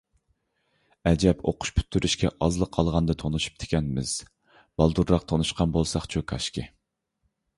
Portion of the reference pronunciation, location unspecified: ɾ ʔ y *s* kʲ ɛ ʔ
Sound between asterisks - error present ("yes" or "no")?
yes